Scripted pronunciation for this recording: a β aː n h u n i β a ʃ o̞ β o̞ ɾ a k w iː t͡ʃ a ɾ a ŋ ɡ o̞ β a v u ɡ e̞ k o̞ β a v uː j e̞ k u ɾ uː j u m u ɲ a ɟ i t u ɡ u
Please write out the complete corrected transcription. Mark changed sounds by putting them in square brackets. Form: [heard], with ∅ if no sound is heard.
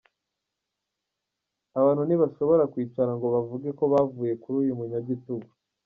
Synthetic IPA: a β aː n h u n i β a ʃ o̞ β o̞ ɾ a k w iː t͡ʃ a ɾ a ŋ ɡ o̞ β a v u ɡ e̞ k o̞ β a v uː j e̞ k u ɾ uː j u m u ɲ a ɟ i t u ɡ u